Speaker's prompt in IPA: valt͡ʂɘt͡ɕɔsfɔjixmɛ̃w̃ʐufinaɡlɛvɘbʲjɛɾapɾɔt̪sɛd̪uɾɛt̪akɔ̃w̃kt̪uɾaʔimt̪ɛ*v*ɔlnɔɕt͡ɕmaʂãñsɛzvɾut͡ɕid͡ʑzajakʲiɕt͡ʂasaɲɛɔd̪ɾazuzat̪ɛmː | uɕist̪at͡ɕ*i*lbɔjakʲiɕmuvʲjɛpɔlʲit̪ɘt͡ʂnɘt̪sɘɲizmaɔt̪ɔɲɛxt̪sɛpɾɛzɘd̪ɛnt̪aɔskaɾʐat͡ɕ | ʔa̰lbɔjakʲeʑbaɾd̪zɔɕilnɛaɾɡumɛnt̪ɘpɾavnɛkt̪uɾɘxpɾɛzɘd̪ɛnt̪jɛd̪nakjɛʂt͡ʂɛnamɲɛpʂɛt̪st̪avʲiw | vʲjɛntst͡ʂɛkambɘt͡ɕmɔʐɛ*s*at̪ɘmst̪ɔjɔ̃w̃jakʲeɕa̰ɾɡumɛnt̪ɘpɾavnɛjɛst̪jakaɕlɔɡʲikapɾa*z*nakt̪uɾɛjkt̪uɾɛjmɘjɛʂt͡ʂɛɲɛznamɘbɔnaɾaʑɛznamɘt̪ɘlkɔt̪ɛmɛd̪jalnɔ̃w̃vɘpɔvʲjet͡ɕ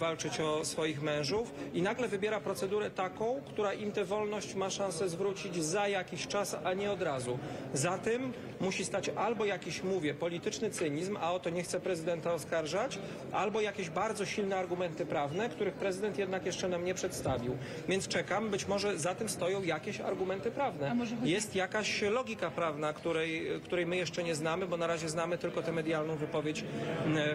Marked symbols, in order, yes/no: yes, no, no, no

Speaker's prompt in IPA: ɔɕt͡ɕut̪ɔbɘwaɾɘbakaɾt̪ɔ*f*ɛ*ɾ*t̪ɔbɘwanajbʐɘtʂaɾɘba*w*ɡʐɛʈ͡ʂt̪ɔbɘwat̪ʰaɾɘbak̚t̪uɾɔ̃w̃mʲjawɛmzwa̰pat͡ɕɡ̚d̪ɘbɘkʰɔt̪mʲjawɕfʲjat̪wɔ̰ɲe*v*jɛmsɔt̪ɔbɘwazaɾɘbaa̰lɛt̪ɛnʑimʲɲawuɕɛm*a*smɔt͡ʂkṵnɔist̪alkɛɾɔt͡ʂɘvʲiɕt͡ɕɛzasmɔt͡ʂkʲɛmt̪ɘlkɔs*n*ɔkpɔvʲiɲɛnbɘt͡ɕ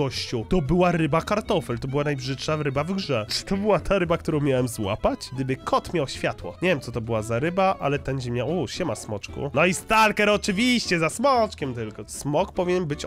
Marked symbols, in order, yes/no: yes, no, no, yes, yes, no

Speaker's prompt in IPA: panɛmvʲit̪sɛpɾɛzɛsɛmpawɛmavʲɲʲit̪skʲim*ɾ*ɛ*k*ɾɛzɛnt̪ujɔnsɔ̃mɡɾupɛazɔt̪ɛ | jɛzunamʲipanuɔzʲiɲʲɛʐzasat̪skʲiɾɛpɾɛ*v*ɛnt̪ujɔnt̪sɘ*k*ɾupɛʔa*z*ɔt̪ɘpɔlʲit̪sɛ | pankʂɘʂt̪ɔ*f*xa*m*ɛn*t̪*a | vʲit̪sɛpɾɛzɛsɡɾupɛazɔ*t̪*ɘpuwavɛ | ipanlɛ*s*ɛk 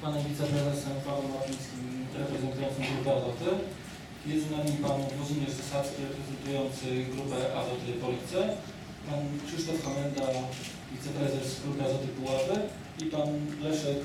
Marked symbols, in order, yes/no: yes, no, no, no, yes, yes, yes, no, yes, no

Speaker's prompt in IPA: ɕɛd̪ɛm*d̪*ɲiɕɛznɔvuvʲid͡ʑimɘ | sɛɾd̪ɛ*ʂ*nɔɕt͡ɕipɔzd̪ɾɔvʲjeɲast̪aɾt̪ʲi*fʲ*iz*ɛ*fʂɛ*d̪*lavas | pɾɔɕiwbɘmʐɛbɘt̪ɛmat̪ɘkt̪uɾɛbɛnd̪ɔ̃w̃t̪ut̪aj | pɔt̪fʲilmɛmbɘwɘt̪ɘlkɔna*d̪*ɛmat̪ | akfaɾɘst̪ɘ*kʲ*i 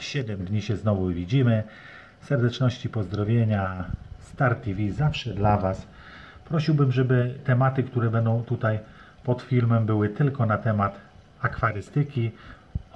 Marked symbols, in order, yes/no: yes, no, no, no, yes, no, yes

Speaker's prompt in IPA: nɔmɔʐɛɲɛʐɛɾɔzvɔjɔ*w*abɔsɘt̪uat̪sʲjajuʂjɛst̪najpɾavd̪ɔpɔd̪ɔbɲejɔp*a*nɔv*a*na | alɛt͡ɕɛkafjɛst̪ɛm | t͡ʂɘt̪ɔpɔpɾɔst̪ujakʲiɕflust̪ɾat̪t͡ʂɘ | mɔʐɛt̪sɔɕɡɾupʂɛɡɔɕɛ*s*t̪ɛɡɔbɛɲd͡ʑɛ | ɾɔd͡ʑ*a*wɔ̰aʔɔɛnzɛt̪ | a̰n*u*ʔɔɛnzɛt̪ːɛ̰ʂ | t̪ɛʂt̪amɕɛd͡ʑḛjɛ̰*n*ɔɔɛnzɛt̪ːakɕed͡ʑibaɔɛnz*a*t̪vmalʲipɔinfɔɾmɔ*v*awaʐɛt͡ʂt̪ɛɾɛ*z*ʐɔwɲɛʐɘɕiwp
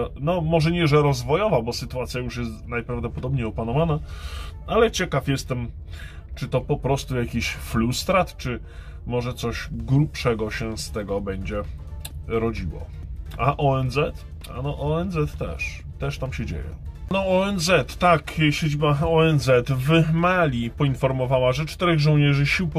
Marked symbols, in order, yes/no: no, yes, yes, yes, no, no, yes, no, yes, no

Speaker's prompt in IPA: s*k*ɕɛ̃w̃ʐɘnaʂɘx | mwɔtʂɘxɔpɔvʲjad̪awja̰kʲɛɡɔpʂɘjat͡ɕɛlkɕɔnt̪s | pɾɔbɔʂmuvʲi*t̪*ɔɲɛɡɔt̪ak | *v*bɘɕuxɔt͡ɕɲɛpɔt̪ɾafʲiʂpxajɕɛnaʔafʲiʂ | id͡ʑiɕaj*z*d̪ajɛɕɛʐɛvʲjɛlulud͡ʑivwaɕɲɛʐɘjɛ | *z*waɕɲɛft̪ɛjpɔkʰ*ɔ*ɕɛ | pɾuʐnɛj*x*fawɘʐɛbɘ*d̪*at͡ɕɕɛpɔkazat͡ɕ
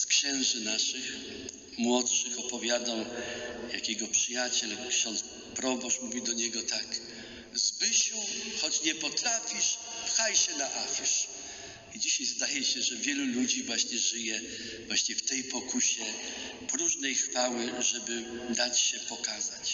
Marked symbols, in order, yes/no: yes, no, no, yes, no, no, yes, yes

